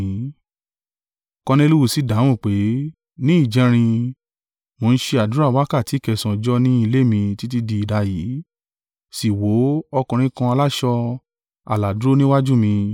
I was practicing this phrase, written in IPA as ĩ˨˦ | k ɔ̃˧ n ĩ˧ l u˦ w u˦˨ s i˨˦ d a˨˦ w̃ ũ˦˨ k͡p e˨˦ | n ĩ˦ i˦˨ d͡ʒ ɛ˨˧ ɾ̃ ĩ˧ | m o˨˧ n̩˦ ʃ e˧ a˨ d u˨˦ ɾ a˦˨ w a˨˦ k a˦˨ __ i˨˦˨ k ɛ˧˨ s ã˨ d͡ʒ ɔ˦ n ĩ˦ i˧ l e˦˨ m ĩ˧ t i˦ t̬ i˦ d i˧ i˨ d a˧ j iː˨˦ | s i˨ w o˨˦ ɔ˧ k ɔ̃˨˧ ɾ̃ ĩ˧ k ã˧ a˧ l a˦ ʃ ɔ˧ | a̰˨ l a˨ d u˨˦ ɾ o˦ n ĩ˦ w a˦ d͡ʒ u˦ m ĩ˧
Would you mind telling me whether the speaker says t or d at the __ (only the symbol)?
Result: t